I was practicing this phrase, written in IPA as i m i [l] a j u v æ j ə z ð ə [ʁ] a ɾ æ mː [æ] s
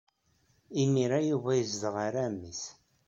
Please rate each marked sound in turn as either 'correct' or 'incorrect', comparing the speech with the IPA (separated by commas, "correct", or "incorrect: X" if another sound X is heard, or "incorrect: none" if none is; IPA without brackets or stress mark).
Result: incorrect: ɾ, correct, incorrect: i